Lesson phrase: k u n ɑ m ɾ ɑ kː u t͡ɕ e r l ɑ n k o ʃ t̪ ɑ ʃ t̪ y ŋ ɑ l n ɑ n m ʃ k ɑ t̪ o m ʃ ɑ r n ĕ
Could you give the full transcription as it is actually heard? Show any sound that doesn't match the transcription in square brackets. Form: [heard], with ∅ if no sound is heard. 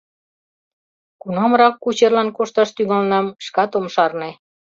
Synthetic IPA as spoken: k u n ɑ m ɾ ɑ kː u t͡ɕ e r l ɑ n k o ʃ t̪ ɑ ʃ t̪ y ŋ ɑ l n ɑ [∅] m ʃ k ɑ t̪ o m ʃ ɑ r n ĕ